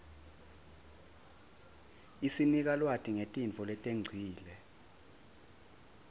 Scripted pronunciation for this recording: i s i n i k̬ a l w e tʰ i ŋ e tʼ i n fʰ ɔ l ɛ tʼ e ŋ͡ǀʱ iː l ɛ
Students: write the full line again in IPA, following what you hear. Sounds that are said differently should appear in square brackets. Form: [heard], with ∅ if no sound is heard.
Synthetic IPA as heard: i s i n i k̬ a l w [a] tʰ i ŋ e tʼ i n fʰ ɔ l ɛ tʼ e ŋ͡ǀʱ iː l ɛ